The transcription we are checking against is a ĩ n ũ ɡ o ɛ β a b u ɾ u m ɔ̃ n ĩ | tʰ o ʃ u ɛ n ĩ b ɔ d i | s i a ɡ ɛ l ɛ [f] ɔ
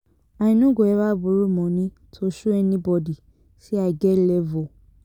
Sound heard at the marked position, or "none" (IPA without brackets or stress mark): v